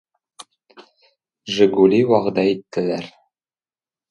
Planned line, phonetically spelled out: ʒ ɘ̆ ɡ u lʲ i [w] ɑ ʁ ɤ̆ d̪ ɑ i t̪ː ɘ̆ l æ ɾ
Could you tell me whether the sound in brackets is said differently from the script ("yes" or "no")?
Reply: no